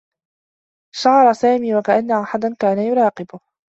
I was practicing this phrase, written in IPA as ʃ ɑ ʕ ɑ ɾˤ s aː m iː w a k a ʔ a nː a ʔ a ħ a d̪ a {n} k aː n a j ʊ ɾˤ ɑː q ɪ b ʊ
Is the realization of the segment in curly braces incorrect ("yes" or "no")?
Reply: no